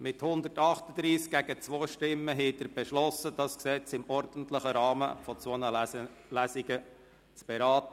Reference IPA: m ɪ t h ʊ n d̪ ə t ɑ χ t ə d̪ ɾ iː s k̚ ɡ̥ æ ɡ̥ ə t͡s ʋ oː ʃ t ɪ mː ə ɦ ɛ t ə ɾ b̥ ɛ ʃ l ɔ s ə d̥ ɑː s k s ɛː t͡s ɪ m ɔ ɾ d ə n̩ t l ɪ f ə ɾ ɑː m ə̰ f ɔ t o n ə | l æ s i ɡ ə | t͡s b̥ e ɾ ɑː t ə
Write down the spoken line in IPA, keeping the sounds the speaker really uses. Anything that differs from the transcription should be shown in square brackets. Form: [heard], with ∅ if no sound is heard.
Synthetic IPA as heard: m ɪ t h ʊ n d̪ ə t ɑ χ t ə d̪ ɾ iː s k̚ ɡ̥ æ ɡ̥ ə t͡s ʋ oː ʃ t ɪ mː ə ɦ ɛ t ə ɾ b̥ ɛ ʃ l ɔ s ə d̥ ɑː s k s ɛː t͡s ɪ m ɔ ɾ d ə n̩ t l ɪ [χ] ə ɾ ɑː m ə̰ f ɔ [t͡s] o n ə | l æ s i ɡ ə | t͡s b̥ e ɾ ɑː t ə